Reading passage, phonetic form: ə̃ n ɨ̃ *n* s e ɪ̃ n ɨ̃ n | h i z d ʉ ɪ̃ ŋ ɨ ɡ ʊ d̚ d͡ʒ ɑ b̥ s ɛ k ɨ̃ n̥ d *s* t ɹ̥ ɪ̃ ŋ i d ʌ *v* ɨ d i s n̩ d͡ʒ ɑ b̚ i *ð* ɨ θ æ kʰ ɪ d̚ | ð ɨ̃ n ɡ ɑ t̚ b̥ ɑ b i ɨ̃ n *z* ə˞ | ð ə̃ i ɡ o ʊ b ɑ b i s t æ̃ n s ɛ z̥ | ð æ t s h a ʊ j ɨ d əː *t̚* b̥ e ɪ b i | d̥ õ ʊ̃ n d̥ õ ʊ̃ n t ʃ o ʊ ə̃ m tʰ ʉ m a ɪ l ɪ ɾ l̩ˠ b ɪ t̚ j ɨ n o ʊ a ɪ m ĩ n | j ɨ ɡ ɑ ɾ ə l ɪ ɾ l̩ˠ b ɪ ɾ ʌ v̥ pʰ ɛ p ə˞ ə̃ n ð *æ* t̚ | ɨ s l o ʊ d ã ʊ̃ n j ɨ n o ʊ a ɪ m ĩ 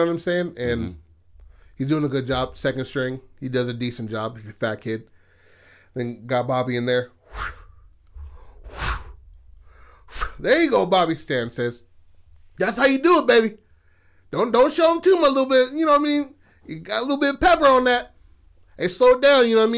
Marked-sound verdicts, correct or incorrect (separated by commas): incorrect, correct, incorrect, incorrect, incorrect, correct, correct